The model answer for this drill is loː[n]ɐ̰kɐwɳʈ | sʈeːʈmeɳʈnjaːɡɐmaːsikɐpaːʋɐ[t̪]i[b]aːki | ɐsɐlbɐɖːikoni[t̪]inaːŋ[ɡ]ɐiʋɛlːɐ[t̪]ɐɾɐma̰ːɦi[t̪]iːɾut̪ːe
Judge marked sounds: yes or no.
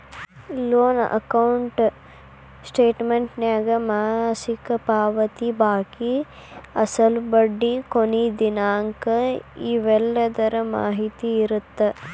yes, yes, yes, no, no, no, yes

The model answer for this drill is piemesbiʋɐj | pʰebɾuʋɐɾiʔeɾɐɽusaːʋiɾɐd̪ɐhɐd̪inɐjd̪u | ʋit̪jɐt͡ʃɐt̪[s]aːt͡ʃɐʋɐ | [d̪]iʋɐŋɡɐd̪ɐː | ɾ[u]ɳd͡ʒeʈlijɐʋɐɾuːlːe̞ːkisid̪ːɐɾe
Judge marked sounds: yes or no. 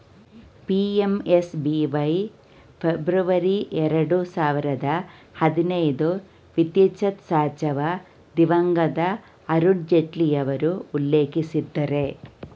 yes, yes, yes

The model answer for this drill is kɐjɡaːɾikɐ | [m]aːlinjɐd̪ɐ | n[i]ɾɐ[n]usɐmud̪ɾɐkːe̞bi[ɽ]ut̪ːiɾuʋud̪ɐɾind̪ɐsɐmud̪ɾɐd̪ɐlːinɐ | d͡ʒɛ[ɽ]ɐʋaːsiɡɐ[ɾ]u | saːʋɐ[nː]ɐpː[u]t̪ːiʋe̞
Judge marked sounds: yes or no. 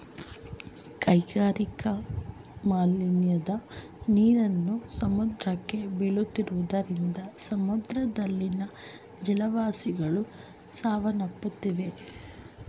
yes, no, no, no, no, no, no, yes

